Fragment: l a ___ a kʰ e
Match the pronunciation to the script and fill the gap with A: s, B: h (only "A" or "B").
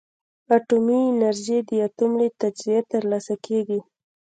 A